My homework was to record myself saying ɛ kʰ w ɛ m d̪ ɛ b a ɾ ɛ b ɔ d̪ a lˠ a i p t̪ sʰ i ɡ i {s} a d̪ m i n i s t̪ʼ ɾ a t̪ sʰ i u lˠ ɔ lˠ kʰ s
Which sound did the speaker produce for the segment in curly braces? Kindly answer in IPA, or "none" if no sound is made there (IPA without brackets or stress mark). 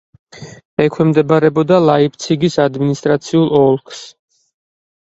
s